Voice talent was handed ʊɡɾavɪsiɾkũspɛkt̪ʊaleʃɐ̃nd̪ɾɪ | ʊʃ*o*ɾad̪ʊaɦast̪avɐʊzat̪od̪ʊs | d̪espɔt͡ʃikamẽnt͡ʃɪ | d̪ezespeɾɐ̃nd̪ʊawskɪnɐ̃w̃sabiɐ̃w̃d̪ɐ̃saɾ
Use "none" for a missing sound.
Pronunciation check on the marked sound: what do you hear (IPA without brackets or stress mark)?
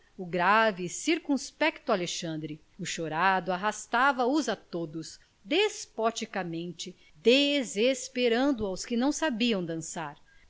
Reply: o